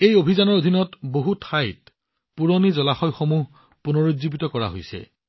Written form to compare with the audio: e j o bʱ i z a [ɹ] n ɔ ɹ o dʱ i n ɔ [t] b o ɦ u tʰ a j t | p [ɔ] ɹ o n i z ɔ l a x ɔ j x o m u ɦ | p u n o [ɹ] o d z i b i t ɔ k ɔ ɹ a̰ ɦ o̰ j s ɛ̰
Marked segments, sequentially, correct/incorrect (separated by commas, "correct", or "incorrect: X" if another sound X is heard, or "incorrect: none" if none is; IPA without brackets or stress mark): incorrect: none, correct, incorrect: u, correct